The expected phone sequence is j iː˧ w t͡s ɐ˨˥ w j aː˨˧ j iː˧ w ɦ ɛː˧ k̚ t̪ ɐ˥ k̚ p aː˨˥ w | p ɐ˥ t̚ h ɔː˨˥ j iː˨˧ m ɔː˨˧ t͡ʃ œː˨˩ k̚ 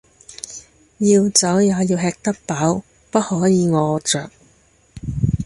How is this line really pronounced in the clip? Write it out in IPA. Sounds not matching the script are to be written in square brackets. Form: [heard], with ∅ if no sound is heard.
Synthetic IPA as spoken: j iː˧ w t͡s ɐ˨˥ w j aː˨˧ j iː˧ w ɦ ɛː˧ k̚ t̪ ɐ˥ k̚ p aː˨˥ w | p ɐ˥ t̚ h ɔː˨˥ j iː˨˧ [ŋ] ɔː˨˧ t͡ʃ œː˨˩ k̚